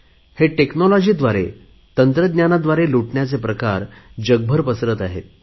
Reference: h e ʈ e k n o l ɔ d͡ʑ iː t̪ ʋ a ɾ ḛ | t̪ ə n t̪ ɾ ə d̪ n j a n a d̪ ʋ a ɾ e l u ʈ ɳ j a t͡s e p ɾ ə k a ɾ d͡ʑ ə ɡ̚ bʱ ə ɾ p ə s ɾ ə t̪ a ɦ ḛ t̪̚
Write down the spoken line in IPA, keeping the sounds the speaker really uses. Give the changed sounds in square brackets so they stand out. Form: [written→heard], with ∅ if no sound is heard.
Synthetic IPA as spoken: h e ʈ e k n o l ɔ d͡ʑ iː [t̪→d̪] ʋ a ɾ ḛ | t̪ ə n t̪ ɾ ə d̪ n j a n a d̪ ʋ a ɾ e l u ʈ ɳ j a t͡s e p ɾ ə k a ɾ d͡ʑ ə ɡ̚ bʱ ə ɾ p ə s ɾ ə t̪ a ɦ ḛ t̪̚